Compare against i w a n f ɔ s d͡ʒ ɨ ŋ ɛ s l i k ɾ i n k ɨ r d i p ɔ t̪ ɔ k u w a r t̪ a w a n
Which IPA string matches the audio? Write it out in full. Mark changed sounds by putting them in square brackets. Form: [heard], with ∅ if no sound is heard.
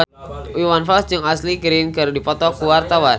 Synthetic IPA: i w a n f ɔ s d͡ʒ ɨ ŋ [a] s l i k ɾ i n k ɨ r d i p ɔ t̪ ɔ k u w a r t̪ a w a n